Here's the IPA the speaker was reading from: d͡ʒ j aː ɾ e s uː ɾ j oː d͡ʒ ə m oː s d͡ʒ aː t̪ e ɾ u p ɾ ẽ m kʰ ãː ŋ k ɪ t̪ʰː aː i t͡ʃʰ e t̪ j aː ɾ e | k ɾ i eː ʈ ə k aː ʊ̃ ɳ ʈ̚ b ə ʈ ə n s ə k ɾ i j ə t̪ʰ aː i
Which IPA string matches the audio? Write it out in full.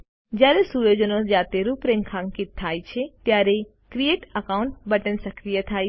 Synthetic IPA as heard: d͡ʒ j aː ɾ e s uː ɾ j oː d͡ʒ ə n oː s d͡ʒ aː t̪ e ɾ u p ɾ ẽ ŋ kʰ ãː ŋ k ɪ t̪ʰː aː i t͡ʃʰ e t̪ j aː ɾ e | k ɾ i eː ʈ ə k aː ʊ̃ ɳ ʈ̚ b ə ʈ ə n s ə k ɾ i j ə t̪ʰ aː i